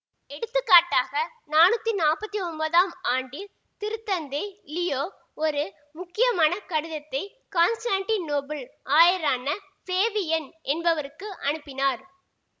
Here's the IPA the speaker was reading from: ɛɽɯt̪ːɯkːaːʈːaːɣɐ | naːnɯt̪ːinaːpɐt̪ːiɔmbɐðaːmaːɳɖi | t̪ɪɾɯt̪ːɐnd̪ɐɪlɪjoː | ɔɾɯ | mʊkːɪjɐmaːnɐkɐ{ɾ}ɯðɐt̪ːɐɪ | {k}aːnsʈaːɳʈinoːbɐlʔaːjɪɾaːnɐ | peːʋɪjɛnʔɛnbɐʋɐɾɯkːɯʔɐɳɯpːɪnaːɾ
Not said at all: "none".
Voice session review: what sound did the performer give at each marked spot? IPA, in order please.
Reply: ɽ, k

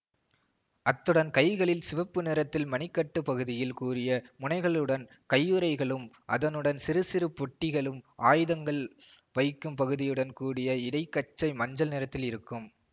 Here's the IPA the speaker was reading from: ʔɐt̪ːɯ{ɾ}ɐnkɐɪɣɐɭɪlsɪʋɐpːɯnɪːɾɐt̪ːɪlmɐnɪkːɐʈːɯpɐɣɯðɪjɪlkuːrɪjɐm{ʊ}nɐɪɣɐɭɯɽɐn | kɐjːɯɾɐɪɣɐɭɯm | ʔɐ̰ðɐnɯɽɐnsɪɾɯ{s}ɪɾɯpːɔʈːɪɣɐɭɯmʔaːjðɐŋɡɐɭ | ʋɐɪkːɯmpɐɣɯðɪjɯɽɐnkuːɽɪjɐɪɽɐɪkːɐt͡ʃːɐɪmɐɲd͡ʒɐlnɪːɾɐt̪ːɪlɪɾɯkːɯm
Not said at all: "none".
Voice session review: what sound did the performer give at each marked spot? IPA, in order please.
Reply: ɽ, ʊ, s

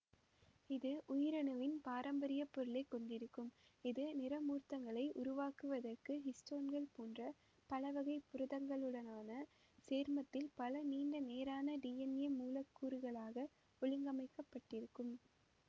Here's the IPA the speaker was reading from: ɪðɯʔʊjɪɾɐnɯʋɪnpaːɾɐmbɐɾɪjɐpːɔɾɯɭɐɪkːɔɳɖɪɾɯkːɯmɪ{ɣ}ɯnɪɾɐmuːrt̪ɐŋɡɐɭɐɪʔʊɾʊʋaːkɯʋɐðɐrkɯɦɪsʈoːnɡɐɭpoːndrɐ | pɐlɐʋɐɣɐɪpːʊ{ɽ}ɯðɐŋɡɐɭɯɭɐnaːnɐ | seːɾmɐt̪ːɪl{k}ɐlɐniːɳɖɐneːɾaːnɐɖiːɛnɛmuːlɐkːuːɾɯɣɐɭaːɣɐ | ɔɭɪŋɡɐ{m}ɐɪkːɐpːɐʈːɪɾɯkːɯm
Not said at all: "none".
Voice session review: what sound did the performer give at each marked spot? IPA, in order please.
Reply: ð, ɾ, p, m

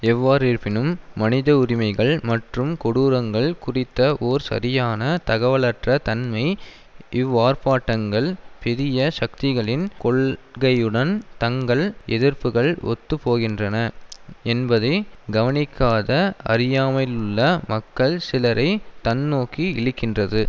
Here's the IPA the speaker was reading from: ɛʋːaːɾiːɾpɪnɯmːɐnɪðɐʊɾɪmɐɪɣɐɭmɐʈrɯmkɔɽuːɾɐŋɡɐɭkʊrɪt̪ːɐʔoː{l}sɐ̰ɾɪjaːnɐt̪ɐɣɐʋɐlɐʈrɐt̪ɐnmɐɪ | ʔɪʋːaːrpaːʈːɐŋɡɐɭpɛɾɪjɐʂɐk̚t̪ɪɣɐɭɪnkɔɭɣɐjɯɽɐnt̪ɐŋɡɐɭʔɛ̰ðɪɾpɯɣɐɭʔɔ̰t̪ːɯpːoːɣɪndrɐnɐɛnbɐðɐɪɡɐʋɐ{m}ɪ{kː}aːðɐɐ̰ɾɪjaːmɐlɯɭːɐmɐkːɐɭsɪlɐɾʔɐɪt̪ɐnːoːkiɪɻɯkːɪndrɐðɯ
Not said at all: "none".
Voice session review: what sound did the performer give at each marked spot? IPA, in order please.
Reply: ɾ, n, kː

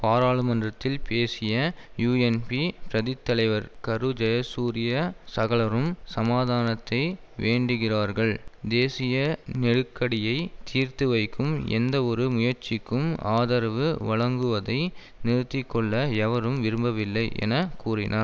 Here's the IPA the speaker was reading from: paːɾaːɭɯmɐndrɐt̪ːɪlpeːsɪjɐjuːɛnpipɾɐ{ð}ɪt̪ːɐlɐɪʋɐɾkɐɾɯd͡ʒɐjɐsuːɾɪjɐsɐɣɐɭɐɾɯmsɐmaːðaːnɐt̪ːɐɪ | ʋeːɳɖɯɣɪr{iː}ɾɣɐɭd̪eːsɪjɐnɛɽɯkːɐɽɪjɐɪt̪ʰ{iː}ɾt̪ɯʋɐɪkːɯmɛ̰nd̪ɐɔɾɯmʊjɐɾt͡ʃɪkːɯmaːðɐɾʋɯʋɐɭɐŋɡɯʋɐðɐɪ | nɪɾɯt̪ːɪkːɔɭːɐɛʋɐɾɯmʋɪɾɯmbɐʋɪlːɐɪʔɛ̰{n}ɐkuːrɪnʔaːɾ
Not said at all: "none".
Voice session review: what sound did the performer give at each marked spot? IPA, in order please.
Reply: ð, aː, iː, n

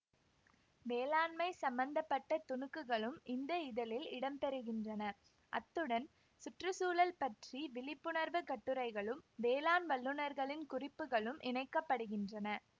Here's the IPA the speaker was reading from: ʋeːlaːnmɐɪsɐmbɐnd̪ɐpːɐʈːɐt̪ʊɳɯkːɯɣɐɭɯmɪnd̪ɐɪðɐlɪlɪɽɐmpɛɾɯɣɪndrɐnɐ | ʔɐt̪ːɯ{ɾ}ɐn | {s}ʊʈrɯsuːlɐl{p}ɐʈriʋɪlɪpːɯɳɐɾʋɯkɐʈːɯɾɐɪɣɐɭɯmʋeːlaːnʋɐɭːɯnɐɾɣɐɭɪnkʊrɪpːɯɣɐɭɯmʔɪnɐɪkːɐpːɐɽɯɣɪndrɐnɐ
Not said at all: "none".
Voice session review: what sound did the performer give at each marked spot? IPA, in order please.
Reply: ɽ, s, p

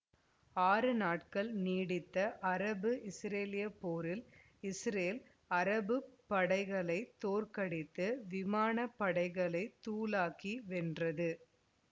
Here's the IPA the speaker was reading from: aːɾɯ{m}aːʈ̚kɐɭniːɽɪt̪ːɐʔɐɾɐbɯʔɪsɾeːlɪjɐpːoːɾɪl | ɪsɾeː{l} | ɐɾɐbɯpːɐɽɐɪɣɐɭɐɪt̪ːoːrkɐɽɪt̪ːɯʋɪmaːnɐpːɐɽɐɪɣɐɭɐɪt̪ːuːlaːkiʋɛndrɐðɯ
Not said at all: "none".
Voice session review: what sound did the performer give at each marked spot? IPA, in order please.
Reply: n, l

